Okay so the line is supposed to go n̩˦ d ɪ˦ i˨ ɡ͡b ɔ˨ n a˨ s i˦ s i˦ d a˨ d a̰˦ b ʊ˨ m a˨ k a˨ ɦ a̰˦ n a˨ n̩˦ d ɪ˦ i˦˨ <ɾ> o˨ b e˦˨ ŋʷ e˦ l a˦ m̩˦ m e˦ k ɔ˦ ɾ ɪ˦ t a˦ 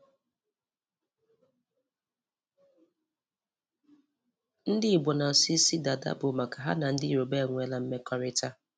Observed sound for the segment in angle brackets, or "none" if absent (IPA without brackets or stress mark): ɾ